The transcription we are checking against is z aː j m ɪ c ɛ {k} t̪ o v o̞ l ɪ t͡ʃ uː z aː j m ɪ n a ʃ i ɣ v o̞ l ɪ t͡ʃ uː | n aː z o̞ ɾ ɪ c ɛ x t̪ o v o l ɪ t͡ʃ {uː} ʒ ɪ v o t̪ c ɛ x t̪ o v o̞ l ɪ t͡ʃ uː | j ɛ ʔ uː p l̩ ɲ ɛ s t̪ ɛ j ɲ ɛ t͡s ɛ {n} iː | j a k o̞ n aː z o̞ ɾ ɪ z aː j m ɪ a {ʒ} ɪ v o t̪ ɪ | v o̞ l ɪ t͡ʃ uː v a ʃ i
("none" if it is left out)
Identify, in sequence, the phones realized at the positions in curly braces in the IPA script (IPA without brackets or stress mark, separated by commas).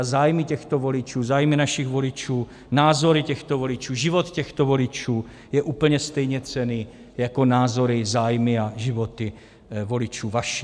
x, uː, n, ʒ